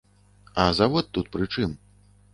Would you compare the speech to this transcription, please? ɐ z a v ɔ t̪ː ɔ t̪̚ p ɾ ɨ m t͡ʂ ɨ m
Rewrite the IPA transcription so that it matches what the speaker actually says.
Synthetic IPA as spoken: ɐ z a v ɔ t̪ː u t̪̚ p ɾ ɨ t͡ʂ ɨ m

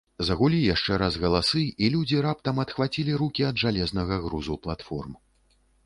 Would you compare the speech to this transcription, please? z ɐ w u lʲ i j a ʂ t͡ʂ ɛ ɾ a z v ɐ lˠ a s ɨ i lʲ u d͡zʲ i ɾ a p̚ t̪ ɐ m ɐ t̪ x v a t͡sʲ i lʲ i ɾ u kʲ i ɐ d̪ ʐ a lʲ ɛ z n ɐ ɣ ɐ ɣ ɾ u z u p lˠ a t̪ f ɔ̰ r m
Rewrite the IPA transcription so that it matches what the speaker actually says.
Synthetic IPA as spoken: z ɐ ɣ u lʲ i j a ʂ t͡ʂ ɛ ɾ a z ɣ ɐ lˠ a s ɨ i lʲ u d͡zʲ i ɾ a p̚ t̪ ɐ m ɐ t̪ x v a t͡sʲ i lʲ i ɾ u kʲ i ɐ d̪ ʐ a lʲ ɛ z n ɐ ɣ ɐ ɣ ɾ u z u p lˠ a t̪ f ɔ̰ r m

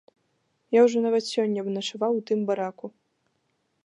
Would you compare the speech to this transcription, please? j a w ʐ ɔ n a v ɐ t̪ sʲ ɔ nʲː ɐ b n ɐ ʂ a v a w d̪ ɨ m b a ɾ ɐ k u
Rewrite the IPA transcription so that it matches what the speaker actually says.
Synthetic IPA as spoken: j a w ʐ ɔ n a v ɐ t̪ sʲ ɔ nʲː ɐ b n ɐ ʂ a v a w t̪ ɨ m b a ɾ a k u

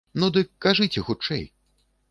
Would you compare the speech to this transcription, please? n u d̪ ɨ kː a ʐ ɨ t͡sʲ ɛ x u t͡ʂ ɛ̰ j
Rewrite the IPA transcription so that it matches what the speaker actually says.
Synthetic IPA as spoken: n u d̪ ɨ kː a ʐ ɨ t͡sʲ ɛ x u t͡ʂ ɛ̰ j

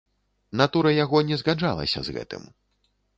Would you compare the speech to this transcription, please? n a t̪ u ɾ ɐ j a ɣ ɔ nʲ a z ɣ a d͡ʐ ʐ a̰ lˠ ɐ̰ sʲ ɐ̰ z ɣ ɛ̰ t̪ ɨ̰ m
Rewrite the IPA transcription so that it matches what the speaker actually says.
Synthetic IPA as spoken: n a t̪ u ɾ ɐ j a ɣ ɔ nʲ ɛ z ɣ a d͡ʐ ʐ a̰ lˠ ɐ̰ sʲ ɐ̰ z ɣ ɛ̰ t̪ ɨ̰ m

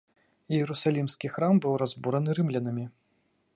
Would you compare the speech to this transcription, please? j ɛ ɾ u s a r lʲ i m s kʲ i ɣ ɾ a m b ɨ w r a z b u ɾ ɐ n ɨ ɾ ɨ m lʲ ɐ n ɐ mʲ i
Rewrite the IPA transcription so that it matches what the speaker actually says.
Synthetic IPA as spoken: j ɛ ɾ u s a lʲ i m s kʲ i x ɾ a m b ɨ w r a z b u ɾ ɐ n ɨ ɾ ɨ m lʲ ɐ n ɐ mʲ i

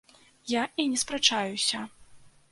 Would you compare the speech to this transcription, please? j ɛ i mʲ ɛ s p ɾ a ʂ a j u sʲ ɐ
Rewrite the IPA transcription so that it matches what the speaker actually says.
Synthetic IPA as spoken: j a i nʲ ɛ s p ɾ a t͡ʂ a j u sʲ ɐ

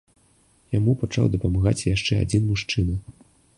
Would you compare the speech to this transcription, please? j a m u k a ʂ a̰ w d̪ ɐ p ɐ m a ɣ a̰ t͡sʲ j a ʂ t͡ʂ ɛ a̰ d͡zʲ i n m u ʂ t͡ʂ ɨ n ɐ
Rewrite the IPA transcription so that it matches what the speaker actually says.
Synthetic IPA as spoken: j a m u p a t͡ʂ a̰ w d̪ ɐ p ɐ m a ɣ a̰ t͡sʲ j a ʂ t͡ʂ ɛ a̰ d͡zʲ i n m u ʂ t͡ʂ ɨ n ɐ

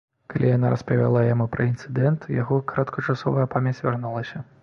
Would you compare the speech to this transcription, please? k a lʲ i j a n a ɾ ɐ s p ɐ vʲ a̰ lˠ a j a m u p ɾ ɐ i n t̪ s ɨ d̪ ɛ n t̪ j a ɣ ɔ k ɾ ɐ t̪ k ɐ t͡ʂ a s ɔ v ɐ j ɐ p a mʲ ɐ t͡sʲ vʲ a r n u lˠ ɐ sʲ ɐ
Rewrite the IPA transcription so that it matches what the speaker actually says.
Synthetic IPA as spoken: k a lʲ i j a n a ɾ ɐ s p ɐ vʲ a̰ lˠ a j a m u p ɾ ɐ i n t̪ s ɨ d̪ ɛ n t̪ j a ɣ ɔ k ɾ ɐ t̪ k ɐ t͡ʂ a s ɔ v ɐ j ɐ p a mʲ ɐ t͡sʲ vʲ a r n u lˠ ɐ sʲ ɐ

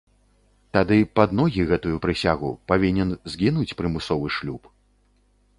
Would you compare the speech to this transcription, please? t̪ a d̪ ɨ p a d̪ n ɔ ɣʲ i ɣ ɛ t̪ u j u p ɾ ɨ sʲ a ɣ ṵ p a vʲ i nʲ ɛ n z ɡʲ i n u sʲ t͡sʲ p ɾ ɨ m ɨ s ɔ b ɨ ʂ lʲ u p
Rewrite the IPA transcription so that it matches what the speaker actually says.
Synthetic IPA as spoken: t̪ a d̪ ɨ p a d̪ n ɔ ɣʲ i ɣ ɛ t̪ u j u p ɾ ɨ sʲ a ɣ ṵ p a vʲ i nʲ ɛ n z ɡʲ i n u t͡sʲ p ɾ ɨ m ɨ s ɔ v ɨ ʂ lʲ u p

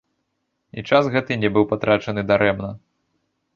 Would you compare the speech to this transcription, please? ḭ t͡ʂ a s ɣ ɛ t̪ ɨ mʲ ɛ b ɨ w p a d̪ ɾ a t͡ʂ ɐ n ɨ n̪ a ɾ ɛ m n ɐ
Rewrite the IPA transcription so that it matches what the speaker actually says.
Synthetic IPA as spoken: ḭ t͡ʂ a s ɣ ɛ t̪ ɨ nʲ ɛ b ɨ w p a t̪ ɾ a t͡ʂ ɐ n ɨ d̪ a ɾ ɛ m n ɐ

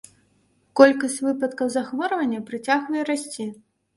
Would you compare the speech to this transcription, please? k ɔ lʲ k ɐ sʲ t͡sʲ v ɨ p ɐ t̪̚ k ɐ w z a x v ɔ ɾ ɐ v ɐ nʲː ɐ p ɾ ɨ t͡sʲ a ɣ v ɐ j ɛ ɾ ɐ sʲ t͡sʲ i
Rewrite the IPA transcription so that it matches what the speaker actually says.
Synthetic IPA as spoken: k ɔ lʲ k ɐ sʲ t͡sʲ v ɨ p ɐ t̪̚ k ɐ w z a x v ɔ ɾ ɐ v ɐ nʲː ɐ p ɾ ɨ t͡sʲ a ɣ v ɐ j ɛ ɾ a sʲ t͡sʲ i

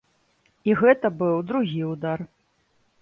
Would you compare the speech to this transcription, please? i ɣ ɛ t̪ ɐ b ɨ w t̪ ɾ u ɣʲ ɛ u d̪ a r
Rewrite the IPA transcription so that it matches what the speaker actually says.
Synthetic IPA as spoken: i ɣ ɛ t̪ ɐ b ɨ w d̪ ɾ u ɣʲ i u d̪ a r

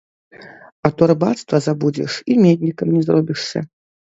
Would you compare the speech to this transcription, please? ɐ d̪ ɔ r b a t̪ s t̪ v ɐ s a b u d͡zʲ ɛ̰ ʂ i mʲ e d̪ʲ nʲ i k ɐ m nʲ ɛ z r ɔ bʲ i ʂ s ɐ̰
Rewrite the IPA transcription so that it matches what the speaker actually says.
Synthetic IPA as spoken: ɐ t̪ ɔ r b a t̪ s t̪ v ɐ z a b u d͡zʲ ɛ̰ ʂ i mʲ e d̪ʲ nʲ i k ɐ m nʲ ɛ z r ɔ bʲ i ʂ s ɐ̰

